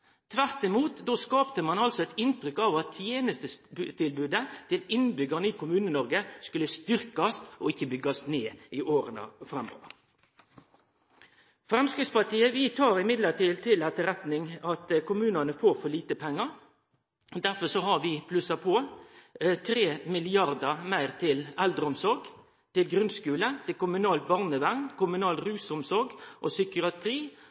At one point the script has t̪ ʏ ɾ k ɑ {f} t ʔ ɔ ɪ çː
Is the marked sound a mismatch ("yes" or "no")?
yes